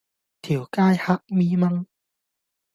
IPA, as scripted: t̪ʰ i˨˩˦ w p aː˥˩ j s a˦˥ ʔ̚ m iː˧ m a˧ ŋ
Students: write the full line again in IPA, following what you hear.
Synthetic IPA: t̪ʰ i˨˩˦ w k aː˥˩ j h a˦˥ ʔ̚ m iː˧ m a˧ ŋ